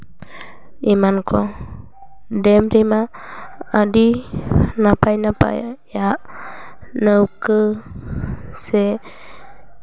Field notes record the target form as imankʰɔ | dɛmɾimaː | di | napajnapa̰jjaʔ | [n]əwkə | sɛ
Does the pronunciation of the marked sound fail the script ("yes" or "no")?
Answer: no